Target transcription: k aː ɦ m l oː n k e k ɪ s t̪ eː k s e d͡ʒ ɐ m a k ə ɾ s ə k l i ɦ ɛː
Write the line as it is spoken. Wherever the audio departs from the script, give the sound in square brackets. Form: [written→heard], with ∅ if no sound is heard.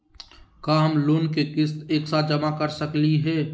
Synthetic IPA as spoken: k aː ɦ m l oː n k e k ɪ s t̪ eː k s [e→a] d͡ʒ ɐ m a k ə ɾ s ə k l i ɦ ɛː